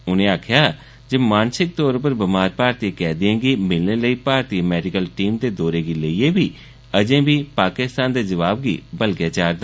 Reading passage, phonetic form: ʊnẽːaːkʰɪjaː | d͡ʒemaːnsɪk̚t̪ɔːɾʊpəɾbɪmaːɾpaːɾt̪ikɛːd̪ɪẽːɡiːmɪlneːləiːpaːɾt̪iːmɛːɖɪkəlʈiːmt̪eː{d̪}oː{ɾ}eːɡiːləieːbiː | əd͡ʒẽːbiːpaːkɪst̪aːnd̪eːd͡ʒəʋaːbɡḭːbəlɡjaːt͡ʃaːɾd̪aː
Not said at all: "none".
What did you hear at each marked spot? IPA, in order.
d̪, ɾ

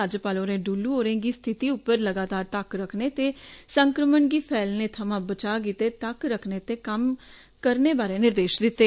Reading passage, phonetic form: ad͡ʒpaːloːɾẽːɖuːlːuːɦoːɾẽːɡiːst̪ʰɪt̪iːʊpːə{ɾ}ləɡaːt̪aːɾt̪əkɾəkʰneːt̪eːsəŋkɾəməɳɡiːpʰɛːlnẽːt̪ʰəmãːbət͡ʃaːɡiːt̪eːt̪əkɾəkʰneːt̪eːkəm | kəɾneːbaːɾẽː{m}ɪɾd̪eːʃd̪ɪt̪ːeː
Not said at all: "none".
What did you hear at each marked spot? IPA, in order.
ɾ, n

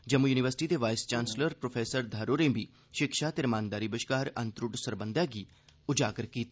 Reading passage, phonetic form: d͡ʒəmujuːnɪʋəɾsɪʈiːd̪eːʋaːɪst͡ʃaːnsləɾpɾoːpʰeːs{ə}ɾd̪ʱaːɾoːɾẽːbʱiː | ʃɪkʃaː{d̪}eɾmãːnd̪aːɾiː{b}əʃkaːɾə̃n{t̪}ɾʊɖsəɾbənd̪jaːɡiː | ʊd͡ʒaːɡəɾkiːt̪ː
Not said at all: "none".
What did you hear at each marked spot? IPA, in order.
ə, t̪, b, t̪

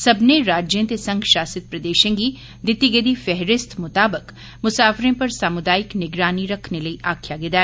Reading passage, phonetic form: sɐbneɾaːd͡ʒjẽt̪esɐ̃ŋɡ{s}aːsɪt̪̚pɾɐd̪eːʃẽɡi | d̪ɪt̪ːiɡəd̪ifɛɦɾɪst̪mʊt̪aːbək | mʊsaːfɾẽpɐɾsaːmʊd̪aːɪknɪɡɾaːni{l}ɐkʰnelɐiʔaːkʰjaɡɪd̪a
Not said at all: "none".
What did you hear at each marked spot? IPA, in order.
ʃ, ɾ

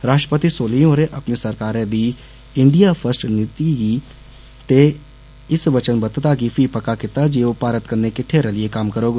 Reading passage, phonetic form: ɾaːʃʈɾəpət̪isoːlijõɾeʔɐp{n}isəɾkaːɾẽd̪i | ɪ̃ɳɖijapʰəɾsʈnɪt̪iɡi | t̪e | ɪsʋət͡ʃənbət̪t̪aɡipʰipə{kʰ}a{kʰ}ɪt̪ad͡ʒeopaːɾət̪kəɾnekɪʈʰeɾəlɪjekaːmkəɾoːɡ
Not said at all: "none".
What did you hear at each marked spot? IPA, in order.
n, k, k

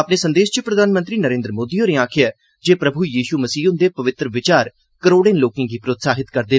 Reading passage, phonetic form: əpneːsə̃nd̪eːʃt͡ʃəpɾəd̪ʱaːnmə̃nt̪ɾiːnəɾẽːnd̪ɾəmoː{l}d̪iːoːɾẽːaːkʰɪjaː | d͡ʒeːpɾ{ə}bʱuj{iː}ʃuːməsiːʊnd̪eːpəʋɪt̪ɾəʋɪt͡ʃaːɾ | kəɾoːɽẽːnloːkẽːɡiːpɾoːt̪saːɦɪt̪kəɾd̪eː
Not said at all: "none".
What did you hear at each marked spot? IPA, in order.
none, ə, iː

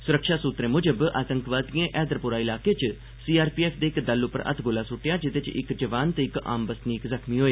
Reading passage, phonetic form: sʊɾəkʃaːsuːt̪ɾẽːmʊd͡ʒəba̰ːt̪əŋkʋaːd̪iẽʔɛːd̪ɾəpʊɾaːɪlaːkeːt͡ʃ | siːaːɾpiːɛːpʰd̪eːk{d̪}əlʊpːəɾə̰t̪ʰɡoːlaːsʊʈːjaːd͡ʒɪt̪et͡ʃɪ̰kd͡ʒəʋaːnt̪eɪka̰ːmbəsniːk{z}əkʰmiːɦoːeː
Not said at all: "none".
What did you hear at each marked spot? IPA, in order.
d̪, z

